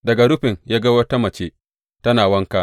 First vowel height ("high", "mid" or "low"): low